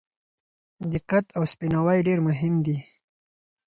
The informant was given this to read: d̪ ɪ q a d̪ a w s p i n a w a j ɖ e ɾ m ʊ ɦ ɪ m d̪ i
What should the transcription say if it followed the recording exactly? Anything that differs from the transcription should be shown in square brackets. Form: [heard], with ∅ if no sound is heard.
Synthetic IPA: d̪ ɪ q a [t̪] a w s p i n a w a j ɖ e ɾ m ʊ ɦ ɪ m d̪ i